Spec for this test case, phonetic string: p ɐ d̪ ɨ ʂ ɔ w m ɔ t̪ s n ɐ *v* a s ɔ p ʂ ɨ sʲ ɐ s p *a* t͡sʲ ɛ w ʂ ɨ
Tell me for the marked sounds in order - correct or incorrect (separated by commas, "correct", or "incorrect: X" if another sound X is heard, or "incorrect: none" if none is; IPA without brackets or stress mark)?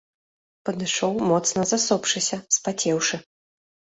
incorrect: z, correct